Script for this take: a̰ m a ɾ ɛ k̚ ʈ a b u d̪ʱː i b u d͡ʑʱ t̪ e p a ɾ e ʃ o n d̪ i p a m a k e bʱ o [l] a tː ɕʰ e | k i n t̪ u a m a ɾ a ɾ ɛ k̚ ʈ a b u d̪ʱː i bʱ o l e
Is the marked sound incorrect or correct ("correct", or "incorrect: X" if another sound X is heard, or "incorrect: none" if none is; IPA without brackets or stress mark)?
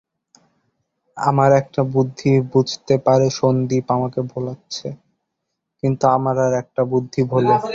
correct